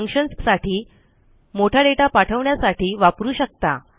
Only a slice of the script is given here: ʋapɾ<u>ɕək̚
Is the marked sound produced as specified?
no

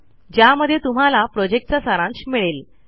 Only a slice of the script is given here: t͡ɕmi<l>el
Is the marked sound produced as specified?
no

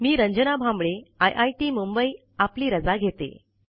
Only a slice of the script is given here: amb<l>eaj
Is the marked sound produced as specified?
no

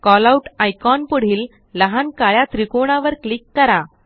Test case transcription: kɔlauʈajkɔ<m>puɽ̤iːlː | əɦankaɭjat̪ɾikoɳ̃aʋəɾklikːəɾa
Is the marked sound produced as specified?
no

